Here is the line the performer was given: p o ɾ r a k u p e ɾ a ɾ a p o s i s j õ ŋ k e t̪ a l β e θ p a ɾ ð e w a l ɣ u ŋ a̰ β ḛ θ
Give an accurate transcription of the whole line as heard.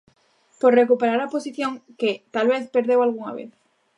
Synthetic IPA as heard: p o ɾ r e k u p e ɾ a ɾ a p o s i θ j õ ŋ k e t̪ a l β e θ p e ɾ ð e w a l ɣ u ŋ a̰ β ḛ θ